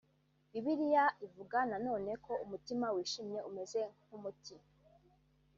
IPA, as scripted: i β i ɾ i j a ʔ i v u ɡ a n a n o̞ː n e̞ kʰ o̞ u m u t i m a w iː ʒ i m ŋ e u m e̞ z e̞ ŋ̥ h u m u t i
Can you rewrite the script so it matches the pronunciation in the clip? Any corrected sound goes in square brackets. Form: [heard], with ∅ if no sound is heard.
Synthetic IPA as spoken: i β i ɾ i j a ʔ i v u ɡ a n a n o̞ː n e̞ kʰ o̞ u m u t i m a w iː [ʃ] i m [ɲ] e u m e̞ z e̞ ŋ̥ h u m u t i